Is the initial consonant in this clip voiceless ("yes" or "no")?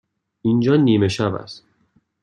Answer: no